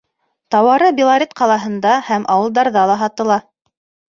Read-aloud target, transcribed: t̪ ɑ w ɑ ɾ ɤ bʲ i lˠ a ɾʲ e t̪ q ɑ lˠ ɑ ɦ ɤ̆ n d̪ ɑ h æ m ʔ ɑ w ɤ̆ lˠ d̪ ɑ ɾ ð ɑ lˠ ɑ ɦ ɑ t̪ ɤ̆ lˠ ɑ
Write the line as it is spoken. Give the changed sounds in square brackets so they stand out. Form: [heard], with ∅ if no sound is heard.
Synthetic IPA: t̪ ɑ w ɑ ɾ ɤ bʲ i lˠ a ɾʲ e t̪ q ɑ lˠ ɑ ɦ ɤ̆ n d̪ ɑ h æ m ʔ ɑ w ɤ̆ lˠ d̪ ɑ ɾ ð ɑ lˠ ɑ ɦ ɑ t̪ ɤ̆ lˠ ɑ